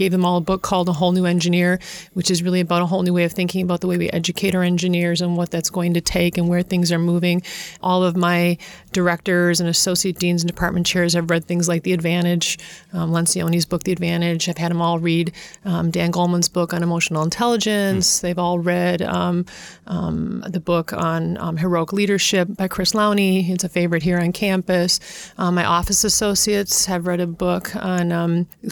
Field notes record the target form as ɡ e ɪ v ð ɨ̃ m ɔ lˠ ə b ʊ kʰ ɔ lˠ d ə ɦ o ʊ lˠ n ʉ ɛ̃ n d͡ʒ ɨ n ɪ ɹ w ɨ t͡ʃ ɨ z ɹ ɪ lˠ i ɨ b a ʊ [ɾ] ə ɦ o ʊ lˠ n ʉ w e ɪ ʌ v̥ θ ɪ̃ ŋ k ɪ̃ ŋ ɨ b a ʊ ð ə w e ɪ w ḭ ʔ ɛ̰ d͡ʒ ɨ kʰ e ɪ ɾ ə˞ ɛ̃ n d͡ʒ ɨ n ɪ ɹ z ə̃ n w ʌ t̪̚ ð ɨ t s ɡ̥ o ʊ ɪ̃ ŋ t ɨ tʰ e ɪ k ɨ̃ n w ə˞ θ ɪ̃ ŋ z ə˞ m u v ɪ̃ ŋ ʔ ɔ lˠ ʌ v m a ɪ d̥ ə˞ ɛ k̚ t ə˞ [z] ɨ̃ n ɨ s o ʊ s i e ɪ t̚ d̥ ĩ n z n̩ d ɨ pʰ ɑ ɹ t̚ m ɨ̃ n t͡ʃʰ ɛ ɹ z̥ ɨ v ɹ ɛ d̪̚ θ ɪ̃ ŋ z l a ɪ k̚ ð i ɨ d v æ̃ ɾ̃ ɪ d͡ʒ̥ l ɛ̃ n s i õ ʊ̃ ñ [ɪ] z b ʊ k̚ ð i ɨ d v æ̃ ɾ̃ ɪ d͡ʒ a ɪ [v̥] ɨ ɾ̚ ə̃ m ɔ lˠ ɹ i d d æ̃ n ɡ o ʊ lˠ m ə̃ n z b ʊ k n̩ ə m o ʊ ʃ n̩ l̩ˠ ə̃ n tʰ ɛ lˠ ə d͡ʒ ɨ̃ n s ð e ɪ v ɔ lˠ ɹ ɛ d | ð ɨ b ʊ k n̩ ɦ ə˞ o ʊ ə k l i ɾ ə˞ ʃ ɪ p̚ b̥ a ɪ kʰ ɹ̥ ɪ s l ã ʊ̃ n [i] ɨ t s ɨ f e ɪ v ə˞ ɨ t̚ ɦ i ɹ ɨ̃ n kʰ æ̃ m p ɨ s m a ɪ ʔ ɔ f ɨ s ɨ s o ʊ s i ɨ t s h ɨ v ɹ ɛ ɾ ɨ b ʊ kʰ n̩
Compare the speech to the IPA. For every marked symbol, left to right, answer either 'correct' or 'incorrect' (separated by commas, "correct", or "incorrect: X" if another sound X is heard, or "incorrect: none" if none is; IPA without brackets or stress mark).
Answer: correct, correct, incorrect: i, correct, correct